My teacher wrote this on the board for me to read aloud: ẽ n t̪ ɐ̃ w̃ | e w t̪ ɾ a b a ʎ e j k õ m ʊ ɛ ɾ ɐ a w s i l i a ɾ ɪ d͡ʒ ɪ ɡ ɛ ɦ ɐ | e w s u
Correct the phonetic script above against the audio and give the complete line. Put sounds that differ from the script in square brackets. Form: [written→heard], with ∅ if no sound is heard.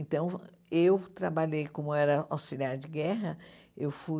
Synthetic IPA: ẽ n t̪ ɐ̃ w̃ | e w t̪ ɾ a b a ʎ e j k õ m ʊ ɛ ɾ ɐ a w s i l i a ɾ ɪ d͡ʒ ɪ ɡ ɛ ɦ ɐ | e w [s→f] u